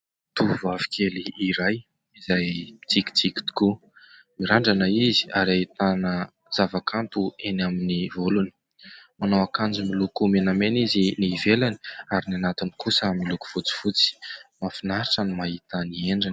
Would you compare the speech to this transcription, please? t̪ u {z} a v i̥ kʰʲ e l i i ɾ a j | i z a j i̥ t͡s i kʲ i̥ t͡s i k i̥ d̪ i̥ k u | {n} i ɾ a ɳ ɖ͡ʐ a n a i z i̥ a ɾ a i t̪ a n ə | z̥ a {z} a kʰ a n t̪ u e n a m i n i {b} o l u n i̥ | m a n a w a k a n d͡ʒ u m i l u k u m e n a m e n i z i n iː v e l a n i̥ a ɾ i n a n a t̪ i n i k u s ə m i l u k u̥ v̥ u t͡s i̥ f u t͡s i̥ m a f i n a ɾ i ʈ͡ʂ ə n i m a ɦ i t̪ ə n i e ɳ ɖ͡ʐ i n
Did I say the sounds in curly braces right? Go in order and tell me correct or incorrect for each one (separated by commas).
incorrect, incorrect, incorrect, incorrect